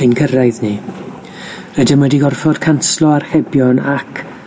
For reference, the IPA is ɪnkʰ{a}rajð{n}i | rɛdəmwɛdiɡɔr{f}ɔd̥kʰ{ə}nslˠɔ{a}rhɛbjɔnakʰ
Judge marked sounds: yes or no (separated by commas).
no, yes, yes, no, yes